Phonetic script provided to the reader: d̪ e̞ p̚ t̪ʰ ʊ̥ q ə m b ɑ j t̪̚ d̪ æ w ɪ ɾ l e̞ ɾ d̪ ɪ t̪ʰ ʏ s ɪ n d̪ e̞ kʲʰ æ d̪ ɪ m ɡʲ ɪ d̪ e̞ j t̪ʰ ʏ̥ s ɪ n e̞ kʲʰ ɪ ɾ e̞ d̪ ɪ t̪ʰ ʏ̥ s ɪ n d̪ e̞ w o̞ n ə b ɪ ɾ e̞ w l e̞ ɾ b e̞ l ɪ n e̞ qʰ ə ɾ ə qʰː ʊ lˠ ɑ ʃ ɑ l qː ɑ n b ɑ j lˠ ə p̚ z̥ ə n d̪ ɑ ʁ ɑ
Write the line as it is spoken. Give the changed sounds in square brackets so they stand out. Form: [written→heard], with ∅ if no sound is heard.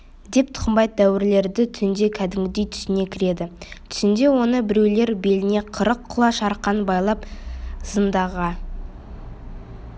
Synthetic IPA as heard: d̪ e̞ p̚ t̪ʰ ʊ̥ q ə m b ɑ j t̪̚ d̪ æ w ɪ ɾ l e̞ ɾ d̪ ɪ t̪ʰ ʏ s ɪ n d̪ e̞ kʲʰ æ d̪ ɪ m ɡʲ ɪ d̪ e̞ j t̪ʰ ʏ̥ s ɪ n e̞ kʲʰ ɪ ɾ e̞ d̪ ɪ t̪ʰ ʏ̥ s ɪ n d̪ e̞ w o̞ n ə b ɪ ɾ e̞ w l e̞ ɾ b e̞ l ɪ n e̞ qʰ ə ɾ ə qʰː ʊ lˠ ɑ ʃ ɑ [l→ɾ] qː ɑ n b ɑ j lˠ [ə→ɑ] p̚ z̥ ə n d̪ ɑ ʁ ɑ